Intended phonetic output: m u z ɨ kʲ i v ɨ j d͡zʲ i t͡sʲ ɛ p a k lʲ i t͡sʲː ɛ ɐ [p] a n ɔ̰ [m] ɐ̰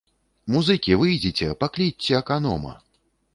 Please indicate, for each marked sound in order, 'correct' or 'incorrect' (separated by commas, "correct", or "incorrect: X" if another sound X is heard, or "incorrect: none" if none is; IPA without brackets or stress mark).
incorrect: k, correct